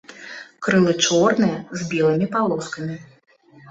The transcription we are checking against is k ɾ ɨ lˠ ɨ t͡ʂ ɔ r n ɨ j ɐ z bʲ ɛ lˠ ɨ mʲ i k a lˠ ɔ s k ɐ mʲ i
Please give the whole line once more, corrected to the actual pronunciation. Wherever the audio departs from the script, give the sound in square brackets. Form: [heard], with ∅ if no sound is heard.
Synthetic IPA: k ɾ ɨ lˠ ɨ t͡ʂ ɔ r n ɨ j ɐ z bʲ ɛ lˠ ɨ mʲ i [p] a lˠ ɔ s k ɐ mʲ i